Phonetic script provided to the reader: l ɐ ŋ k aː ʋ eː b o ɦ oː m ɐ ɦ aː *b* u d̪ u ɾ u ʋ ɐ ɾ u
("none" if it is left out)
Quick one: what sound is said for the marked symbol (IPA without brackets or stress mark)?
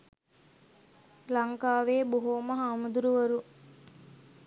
m